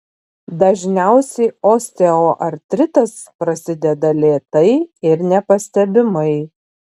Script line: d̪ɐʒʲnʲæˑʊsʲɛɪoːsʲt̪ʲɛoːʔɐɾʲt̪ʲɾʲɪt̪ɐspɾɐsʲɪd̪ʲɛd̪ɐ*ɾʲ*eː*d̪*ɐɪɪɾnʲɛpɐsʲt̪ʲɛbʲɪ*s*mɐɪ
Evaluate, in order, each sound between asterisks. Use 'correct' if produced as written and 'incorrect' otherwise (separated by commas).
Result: incorrect, incorrect, incorrect